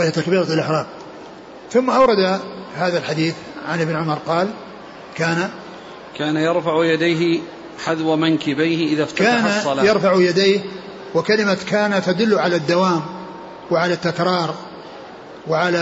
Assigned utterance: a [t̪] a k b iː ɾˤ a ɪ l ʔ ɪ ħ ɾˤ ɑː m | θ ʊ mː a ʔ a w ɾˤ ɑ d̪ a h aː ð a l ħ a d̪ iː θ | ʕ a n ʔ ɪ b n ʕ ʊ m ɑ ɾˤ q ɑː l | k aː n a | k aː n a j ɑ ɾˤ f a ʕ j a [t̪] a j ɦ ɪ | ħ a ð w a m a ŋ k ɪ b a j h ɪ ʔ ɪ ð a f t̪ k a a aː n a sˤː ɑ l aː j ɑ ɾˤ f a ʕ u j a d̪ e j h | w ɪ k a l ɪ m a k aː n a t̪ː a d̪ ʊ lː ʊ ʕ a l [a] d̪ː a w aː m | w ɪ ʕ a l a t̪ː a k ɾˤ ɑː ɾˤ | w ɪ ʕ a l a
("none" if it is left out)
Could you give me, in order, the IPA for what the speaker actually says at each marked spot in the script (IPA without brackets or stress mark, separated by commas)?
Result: t̪, d̪, a